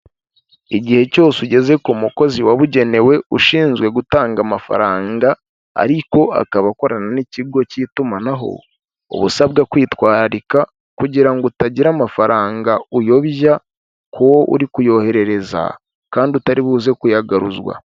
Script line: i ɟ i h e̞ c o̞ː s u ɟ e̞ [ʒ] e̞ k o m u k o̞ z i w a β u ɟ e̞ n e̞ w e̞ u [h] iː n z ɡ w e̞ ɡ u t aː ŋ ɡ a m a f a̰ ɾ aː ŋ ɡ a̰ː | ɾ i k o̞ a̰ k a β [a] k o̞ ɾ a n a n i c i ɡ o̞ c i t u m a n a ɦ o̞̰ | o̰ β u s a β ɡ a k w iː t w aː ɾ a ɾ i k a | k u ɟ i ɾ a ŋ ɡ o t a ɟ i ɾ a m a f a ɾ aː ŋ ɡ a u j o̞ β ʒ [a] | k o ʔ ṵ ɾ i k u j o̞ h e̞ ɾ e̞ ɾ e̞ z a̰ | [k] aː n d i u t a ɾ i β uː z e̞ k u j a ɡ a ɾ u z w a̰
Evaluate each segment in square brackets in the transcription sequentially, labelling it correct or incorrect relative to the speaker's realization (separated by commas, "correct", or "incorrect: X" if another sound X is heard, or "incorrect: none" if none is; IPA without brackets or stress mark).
incorrect: z, incorrect: ʃ, correct, correct, correct